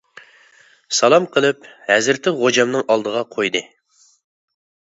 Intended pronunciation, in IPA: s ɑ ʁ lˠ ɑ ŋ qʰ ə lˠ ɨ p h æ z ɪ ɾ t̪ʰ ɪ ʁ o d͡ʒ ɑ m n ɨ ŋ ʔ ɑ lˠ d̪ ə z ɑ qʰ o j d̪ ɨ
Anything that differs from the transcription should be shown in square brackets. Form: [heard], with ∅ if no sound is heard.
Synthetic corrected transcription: s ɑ [∅] lˠ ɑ [m] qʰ ə lˠ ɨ p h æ z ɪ ɾ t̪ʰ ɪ ʁ o d͡ʒ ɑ m n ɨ ŋ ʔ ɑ lˠ d̪ ə [ʁ] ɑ qʰ o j d̪ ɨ